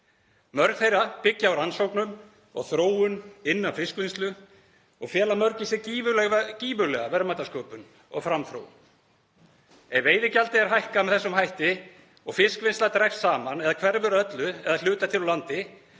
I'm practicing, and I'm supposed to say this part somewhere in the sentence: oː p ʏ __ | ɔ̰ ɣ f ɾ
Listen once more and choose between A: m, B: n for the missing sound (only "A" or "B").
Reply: B